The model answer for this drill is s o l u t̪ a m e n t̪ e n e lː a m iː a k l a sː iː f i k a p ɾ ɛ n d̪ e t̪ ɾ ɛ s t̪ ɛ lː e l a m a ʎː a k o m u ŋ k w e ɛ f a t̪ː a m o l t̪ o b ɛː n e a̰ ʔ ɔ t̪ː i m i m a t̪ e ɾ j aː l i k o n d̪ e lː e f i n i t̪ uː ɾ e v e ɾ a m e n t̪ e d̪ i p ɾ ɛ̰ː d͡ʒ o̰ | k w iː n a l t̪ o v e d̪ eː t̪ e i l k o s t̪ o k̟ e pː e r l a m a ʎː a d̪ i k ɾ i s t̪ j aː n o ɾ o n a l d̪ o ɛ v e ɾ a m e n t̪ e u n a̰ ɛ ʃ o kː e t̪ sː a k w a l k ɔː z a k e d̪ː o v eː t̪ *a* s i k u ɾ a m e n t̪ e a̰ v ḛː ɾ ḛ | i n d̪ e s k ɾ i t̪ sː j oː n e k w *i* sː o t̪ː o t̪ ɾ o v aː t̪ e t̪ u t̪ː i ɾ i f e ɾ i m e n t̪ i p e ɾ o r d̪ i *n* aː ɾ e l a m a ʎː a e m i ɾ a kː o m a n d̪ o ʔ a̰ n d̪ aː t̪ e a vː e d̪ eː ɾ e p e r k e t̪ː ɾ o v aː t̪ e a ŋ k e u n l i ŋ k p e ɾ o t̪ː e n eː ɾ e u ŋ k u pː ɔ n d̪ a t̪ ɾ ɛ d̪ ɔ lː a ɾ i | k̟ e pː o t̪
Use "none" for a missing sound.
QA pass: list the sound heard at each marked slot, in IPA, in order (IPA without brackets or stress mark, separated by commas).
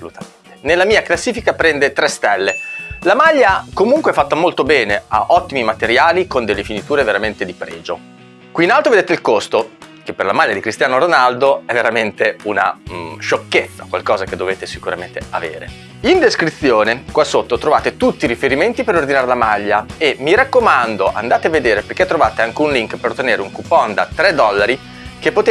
e, a, n